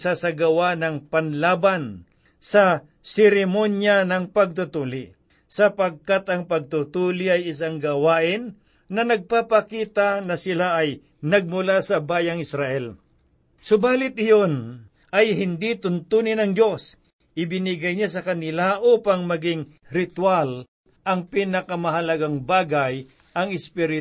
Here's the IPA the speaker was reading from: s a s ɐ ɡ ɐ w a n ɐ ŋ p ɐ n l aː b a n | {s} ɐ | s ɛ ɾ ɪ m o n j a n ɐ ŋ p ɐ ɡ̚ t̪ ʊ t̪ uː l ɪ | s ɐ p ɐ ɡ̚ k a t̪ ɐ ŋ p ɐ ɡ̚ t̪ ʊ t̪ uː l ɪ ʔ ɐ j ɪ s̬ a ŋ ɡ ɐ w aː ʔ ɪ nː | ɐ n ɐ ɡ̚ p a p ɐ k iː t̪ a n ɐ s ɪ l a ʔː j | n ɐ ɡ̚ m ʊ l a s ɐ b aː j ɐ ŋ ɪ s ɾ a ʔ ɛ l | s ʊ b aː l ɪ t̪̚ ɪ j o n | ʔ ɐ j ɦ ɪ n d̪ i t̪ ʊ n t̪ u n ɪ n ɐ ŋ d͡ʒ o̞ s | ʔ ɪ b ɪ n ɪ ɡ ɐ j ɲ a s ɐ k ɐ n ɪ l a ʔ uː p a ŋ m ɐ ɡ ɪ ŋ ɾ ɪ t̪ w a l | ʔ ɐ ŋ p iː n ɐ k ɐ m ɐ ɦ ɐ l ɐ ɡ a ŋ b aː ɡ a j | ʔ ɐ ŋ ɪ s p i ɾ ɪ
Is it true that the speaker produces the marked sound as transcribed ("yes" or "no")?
yes